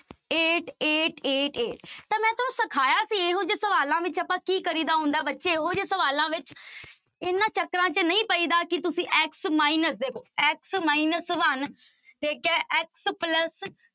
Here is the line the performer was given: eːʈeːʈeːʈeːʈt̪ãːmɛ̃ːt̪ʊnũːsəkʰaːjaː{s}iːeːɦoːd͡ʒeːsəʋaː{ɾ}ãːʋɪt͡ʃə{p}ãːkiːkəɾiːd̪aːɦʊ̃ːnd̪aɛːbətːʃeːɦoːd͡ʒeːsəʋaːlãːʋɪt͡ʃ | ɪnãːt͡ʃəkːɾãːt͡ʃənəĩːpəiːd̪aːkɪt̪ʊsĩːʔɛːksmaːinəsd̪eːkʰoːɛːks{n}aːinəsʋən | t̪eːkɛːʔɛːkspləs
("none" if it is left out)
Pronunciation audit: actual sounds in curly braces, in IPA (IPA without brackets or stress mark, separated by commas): s, l, p, m